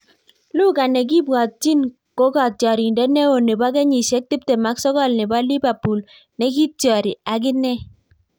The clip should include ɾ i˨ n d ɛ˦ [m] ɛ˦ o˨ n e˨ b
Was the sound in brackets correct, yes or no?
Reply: no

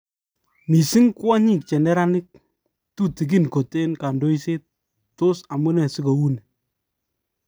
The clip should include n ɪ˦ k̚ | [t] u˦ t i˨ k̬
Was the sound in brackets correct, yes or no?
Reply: yes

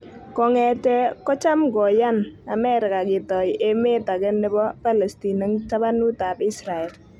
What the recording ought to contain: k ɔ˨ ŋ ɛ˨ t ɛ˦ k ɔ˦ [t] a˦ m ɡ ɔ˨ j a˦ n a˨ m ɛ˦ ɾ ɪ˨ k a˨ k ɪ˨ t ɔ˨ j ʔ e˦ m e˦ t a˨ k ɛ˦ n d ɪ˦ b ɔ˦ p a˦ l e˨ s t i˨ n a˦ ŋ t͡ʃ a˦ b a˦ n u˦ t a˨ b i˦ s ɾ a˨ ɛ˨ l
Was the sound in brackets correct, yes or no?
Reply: no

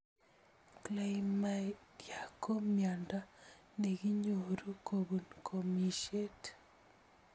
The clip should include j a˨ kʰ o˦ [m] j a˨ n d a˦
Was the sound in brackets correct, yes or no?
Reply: yes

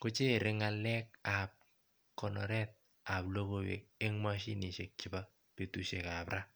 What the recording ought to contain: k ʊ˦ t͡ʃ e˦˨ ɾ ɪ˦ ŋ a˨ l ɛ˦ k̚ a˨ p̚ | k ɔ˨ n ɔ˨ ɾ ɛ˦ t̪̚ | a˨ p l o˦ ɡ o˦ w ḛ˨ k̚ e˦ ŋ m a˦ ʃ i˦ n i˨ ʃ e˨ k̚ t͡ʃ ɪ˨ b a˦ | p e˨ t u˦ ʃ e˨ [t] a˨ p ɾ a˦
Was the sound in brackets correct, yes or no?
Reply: no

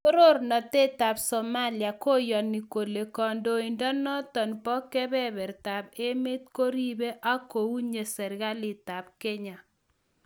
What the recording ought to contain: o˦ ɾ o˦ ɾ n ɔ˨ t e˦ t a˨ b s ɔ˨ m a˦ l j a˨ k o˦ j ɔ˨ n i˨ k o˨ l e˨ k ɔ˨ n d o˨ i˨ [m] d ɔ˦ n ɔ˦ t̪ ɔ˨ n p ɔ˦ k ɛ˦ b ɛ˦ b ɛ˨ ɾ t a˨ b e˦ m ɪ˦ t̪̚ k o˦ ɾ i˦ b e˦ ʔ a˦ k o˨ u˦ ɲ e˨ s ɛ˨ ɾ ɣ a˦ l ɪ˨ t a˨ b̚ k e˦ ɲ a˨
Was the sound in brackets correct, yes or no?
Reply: no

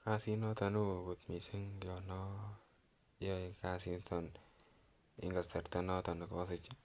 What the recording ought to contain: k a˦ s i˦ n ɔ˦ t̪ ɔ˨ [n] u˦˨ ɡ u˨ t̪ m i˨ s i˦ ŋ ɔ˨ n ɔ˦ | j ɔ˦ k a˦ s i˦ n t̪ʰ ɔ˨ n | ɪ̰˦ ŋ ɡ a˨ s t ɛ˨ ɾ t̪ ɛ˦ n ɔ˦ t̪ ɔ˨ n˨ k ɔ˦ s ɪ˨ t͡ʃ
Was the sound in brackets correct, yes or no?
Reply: yes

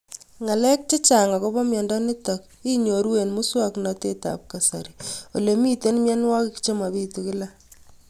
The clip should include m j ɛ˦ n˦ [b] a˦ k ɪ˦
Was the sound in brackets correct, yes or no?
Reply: no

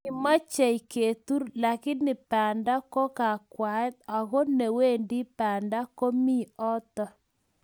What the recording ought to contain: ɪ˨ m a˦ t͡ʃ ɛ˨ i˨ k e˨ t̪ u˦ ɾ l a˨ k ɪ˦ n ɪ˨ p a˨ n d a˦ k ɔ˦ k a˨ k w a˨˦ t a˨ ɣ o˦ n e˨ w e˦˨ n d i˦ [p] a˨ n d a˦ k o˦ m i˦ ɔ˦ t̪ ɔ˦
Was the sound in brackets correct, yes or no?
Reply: yes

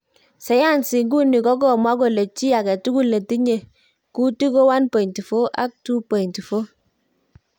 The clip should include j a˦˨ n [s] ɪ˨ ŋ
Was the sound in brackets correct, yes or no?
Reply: yes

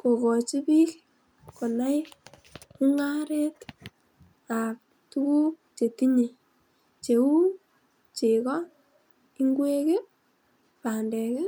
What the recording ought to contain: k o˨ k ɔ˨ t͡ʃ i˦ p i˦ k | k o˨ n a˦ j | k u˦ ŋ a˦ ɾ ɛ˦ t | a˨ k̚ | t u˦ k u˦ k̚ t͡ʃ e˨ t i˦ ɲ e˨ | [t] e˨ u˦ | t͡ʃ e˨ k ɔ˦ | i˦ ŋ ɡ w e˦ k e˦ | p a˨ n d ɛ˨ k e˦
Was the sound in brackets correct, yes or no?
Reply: no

